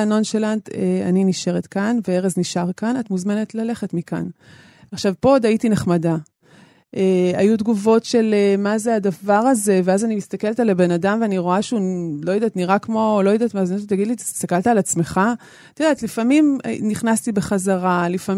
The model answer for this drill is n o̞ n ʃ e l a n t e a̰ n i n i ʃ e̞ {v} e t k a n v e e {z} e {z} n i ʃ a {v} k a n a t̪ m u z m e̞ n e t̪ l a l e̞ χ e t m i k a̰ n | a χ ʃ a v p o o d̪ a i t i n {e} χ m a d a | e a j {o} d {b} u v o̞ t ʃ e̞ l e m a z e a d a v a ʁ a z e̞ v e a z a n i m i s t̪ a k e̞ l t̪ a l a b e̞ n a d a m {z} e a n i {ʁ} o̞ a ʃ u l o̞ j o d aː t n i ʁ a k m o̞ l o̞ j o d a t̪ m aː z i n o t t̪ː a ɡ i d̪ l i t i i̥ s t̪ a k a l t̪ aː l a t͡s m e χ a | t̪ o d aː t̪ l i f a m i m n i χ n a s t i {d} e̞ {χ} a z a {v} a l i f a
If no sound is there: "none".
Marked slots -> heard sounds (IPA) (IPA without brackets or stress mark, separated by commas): ʁ, ʁ, z, ʁ, e, u, ɡ, v, ʁ, b, χ, ʁ